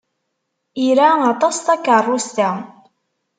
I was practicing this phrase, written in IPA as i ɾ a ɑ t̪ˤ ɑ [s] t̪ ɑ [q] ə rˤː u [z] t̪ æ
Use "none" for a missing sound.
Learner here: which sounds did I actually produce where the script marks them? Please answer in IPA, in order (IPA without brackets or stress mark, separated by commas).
s, k, s